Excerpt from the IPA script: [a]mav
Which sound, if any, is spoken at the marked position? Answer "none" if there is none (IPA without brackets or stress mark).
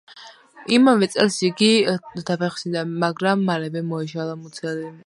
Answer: i